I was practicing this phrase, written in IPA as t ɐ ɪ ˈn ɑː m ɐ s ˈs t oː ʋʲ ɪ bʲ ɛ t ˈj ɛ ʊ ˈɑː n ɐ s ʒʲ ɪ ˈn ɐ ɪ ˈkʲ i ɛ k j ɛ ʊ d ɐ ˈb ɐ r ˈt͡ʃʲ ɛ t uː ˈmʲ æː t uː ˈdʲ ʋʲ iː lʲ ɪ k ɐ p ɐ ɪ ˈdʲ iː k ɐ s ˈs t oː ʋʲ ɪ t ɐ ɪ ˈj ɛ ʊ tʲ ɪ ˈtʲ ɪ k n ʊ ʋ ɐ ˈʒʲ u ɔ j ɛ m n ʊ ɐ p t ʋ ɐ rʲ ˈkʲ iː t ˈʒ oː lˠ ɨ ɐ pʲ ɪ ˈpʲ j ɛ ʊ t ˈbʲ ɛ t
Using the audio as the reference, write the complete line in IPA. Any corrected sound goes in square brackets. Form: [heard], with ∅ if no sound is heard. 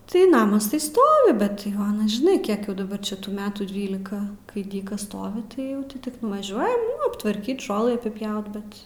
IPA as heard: t ɐ ɪ ˈn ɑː m ɐ s ˈs t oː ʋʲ ɪ bʲ ɛ t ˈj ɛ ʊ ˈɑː n ɐ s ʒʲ ɪ ˈn ɐ ɪ ˈkʲ i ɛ k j ɛ ʊ d ɐ ˈb ɐ r ˈt͡ʃʲ ɛ t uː ˈmʲ æː t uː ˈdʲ ʋʲ iː lʲ ɪ k ɐ [k] ɐ ɪ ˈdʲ iː k ɐ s ˈs t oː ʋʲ ɪ t ɐ ɪ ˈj ɛ ʊ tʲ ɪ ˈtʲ ɪ k n ʊ ʋ ɐ ˈʒʲ u ɔ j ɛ m n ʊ ɐ p t ʋ ɐ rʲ ˈkʲ iː t ˈʒ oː lˠ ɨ ɐ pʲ ɪ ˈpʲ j ɛ ʊ t ˈbʲ ɛ t